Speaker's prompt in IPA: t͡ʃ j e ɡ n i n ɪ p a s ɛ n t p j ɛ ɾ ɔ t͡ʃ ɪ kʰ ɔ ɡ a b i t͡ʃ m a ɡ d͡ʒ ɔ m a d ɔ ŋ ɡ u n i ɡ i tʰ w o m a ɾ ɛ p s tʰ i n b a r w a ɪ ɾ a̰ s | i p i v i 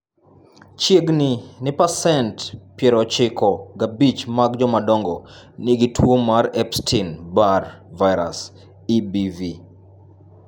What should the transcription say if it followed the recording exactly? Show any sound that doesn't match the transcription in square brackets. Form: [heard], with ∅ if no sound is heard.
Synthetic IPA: t͡ʃ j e ɡ n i n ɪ p a s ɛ n t p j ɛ ɾ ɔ t͡ʃ ɪ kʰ ɔ ɡ a b i t͡ʃ m a ɡ d͡ʒ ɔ m a d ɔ ŋ ɡ [ɔ] n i ɡ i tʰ w o m a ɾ ɛ p s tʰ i n b a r [v] a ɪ ɾ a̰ s | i [b] i v i

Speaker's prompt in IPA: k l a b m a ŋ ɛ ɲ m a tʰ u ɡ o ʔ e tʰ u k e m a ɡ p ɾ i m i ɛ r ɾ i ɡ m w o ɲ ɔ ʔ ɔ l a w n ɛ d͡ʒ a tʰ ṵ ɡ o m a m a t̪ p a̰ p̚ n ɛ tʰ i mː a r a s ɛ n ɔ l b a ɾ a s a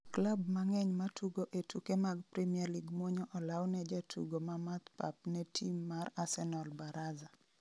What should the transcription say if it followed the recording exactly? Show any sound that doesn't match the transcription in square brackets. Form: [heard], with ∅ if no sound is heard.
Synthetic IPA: k l a b m a ŋ ɛ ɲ m a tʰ u ɡ o ʔ e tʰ u k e m a ɡ p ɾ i m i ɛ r [l] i ɡ m w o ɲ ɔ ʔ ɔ l a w n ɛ d͡ʒ a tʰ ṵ ɡ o m a m a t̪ p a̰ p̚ n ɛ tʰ i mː a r a s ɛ n ɔ l b a ɾ a [z] a

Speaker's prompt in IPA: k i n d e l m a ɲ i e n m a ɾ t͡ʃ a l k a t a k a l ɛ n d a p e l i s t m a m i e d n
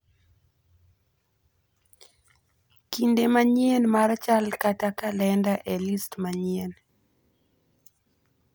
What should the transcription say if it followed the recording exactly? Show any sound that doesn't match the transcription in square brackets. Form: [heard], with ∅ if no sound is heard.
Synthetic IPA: k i n d e [∅] m a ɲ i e n m a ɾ t͡ʃ a l k a t a k a l ɛ n d a [ʔ] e l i s t m a [ɲ] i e [∅] n

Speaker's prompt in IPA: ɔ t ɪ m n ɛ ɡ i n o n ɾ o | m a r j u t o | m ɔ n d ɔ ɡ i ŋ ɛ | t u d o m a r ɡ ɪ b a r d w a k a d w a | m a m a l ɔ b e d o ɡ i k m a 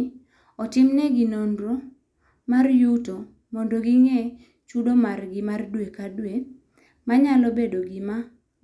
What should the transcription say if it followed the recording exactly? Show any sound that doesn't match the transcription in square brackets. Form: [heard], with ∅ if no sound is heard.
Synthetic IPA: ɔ t ɪ m n ɛ ɡ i n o n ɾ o | m a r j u t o | m ɔ n d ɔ ɡ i ŋ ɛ | [t͡ʃ] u d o m a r ɡ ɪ [m] a r d w [e] k a d w [e] | m a [ɲ] a l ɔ b e d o ɡ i [∅] m a

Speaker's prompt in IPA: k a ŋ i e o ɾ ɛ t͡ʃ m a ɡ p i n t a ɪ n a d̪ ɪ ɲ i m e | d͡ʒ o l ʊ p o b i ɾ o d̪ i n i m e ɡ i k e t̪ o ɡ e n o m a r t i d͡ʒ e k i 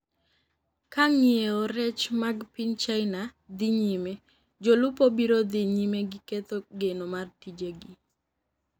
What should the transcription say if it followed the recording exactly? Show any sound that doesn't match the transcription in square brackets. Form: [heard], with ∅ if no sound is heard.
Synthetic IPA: k a ŋ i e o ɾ ɛ t͡ʃ m a ɡ p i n [t͡ʃ] a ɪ n a d̪ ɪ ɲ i m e | d͡ʒ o l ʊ p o b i ɾ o d̪ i [ɲ] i m e ɡ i k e t̪ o ɡ e n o m a r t i d͡ʒ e [ɡ] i

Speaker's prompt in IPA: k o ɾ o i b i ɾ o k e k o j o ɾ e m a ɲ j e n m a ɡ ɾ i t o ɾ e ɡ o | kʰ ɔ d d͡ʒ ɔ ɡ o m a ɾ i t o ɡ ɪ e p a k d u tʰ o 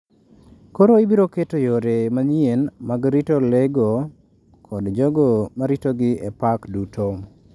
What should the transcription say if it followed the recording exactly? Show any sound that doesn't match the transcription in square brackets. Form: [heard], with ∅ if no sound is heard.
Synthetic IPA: k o ɾ o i b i ɾ o k e [t] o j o ɾ e m a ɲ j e n m a ɡ ɾ i t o [l] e ɡ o | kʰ ɔ d d͡ʒ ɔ ɡ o m a ɾ i t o ɡ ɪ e p a k d u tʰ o

